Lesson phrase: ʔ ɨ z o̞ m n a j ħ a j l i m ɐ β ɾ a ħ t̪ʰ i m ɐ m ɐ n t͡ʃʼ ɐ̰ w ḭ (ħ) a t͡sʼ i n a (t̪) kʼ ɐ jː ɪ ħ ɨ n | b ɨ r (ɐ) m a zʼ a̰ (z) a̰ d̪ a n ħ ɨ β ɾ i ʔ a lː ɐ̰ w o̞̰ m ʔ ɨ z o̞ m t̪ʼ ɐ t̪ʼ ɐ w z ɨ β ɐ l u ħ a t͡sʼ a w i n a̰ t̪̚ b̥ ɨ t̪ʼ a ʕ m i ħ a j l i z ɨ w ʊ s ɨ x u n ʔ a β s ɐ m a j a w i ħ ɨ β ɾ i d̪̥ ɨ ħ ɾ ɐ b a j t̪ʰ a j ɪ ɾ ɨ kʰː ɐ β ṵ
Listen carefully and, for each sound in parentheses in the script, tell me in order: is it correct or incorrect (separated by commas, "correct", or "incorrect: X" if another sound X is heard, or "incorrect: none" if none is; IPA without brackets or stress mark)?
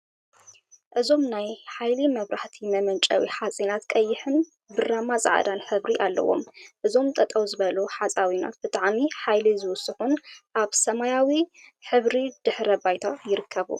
correct, correct, incorrect: a, incorrect: ʕ